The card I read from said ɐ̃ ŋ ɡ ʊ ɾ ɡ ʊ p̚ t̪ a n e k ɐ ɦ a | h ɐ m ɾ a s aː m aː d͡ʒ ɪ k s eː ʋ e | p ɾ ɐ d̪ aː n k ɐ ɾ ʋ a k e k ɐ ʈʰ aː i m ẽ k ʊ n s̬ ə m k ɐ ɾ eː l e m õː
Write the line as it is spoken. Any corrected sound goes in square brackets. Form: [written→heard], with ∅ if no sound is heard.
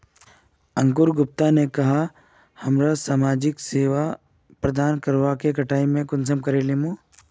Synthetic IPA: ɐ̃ ŋ [ɡ→k] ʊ ɾ ɡ ʊ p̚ t̪ a n e k ɐ ɦ a | h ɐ m ɾ a s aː m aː d͡ʒ ɪ k s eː ʋ [e→a] | p ɾ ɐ d̪ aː n k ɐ ɾ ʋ a k e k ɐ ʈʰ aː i m ẽ k ʊ n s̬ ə m k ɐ ɾ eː l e m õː